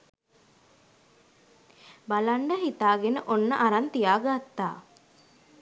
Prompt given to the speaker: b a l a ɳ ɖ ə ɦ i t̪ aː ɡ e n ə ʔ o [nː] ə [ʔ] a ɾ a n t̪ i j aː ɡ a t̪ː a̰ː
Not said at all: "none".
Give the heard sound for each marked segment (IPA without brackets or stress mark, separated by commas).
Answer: nː, ʔ